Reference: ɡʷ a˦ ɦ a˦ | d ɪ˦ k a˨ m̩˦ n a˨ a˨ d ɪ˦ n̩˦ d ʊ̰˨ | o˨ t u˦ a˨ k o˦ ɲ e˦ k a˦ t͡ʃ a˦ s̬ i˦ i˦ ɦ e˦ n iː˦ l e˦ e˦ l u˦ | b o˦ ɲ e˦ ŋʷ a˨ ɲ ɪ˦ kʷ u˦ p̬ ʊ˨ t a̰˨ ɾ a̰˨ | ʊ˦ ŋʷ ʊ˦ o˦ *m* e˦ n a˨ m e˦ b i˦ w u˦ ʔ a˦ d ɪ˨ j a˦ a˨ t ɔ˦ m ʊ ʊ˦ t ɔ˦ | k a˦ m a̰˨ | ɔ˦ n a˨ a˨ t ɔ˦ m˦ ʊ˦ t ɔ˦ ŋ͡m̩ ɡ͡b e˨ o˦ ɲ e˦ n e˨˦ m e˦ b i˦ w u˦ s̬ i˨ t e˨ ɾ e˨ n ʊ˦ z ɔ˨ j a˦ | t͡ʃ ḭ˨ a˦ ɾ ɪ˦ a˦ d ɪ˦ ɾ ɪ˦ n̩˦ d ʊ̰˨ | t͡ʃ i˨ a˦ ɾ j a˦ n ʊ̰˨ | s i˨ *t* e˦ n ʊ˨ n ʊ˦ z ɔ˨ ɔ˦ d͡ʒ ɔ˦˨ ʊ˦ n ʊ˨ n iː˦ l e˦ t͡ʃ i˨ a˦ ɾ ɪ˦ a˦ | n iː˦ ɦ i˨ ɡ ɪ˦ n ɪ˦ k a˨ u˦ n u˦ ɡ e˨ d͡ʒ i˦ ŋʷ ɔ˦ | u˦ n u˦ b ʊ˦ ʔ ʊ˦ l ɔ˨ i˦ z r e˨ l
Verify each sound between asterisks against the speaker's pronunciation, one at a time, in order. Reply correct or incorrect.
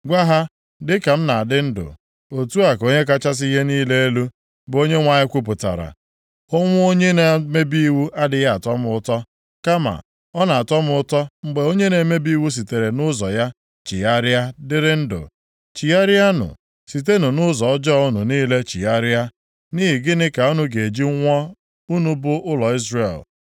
incorrect, correct

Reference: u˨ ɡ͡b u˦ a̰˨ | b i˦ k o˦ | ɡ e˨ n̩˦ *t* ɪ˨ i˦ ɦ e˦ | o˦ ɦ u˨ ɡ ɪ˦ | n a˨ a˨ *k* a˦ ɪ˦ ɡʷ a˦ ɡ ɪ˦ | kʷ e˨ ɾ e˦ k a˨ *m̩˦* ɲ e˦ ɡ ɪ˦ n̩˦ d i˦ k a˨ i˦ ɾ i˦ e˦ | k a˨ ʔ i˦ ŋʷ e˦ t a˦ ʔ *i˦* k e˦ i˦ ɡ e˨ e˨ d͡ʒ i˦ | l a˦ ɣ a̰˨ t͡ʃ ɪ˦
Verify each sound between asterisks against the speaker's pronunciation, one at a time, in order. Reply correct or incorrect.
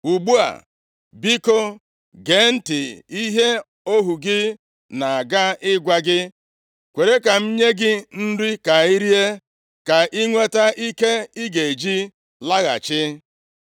correct, incorrect, correct, correct

